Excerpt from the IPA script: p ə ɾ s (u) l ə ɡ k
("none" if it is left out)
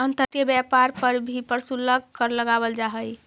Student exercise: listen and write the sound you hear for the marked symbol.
u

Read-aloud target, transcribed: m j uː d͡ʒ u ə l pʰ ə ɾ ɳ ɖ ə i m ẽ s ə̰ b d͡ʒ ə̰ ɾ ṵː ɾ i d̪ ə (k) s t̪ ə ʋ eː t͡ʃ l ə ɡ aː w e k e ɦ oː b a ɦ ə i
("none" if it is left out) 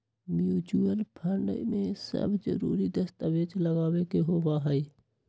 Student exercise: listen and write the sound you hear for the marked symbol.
none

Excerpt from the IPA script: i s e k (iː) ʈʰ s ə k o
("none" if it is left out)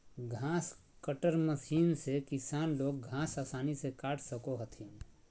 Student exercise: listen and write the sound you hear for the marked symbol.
aː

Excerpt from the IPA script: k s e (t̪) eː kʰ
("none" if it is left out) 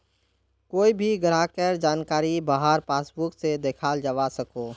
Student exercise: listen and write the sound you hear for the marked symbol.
d̪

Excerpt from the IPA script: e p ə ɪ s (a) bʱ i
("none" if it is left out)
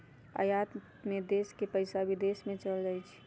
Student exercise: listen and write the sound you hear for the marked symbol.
a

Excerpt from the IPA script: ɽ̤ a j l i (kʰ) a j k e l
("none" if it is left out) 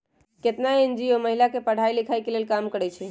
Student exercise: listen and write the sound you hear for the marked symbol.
kʰ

